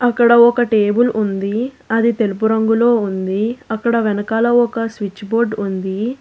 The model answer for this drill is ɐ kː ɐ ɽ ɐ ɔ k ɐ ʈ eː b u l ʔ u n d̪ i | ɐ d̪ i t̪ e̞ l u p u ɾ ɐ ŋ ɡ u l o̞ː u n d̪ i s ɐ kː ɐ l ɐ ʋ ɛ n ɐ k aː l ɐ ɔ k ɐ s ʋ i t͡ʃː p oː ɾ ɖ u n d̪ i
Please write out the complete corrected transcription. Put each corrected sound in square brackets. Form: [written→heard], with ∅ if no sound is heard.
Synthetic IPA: ɐ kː ɐ ɽ ɐ ɔ k ɐ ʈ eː b u l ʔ u n d̪ i | ɐ d̪ i t̪ e̞ l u p u ɾ ɐ ŋ ɡ u l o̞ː u n d̪ i [s→∅] ɐ kː ɐ [l→ɽ] ɐ ʋ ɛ n ɐ k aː l ɐ ɔ k ɐ s ʋ i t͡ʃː [p→b] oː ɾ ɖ u n d̪ i